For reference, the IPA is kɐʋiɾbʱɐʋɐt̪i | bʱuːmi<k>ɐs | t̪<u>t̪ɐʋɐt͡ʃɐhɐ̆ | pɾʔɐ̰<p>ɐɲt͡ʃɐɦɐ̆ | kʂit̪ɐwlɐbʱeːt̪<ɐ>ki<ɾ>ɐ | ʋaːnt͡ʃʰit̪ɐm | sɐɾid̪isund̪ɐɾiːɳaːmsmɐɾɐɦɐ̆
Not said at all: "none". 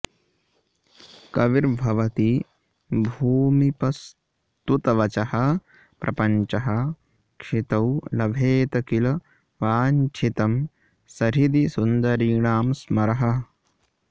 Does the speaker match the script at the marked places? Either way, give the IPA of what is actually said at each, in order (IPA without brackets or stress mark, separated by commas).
p, u, p, ɐ, l